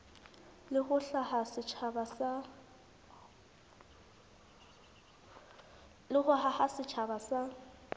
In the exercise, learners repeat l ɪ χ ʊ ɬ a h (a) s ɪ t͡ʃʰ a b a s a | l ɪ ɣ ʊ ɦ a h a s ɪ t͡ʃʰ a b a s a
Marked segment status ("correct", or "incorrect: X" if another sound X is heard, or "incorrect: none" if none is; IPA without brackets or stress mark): correct